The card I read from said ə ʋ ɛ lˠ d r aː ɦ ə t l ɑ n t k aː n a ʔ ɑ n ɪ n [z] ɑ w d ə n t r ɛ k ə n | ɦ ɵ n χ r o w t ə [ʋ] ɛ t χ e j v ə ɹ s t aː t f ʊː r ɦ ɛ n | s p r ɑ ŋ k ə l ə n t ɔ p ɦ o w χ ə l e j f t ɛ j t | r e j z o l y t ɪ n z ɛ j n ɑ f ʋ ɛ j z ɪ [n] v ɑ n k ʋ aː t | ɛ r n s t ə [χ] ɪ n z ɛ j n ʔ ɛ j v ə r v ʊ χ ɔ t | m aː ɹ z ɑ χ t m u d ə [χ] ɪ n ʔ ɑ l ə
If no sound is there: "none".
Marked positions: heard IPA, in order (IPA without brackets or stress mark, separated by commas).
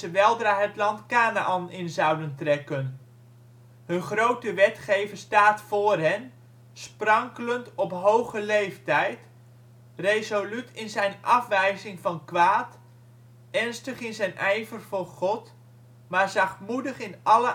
z, ʋ, ŋ, χ, χ